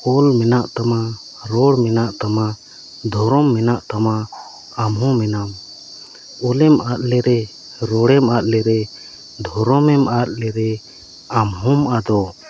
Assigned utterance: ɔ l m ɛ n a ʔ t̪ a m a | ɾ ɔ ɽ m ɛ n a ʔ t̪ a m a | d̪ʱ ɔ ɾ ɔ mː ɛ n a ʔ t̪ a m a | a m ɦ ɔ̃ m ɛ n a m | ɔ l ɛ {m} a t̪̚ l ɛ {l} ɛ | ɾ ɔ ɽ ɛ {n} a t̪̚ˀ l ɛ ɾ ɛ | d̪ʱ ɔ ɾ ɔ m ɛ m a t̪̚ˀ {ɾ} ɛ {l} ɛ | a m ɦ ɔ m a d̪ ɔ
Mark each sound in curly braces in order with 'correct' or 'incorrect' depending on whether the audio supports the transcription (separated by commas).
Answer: correct, incorrect, incorrect, incorrect, incorrect